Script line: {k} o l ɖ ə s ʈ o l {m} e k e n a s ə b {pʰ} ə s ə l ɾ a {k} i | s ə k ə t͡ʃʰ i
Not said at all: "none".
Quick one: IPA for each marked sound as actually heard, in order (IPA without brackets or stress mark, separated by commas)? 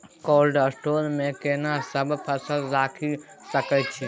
k, m, pʰ, kʰ